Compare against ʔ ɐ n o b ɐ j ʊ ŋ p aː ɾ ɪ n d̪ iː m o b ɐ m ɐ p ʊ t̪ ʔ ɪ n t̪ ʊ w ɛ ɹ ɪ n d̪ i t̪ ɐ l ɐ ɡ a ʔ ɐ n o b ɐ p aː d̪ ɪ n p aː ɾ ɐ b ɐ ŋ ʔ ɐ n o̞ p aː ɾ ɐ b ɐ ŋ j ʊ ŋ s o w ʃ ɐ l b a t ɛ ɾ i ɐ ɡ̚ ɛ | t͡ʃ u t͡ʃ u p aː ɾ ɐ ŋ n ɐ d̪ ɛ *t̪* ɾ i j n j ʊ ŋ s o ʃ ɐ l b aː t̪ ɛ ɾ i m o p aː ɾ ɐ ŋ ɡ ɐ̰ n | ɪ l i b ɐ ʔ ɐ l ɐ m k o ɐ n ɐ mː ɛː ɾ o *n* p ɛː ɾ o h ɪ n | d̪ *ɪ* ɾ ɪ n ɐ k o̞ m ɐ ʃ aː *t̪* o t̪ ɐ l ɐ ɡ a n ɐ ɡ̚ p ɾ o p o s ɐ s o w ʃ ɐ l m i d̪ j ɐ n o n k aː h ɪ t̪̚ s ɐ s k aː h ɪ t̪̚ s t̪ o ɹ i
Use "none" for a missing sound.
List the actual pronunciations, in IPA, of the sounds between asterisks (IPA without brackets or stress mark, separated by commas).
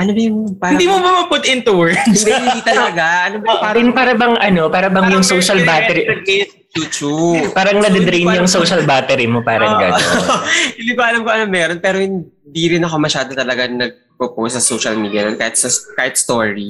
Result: d̪, n, i, d̪